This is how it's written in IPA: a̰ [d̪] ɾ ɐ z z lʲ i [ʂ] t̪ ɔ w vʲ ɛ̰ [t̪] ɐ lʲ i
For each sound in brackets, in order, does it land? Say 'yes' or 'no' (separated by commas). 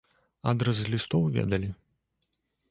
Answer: yes, no, no